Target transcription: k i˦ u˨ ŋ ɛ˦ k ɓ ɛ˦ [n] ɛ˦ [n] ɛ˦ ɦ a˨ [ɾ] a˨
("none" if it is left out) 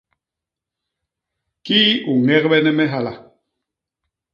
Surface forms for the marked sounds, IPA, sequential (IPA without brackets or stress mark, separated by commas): n, m, l